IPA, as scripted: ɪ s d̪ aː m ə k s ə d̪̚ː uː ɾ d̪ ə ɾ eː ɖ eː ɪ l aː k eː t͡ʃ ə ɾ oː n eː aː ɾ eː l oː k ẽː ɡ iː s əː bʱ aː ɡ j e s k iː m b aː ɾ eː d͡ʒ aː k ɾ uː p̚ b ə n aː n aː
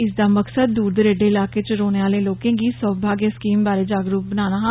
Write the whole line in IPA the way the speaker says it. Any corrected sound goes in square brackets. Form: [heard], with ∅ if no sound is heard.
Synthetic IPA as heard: ɪ s d̪ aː m ə k s ə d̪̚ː uː ɾ d̪ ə ɾ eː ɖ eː ɪ l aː k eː t͡ʃ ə ɾ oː n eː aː [l] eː l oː k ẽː ɡ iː s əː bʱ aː ɡ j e s k iː m b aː ɾ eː d͡ʒ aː [ɡ] ɾ uː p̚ b ə n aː n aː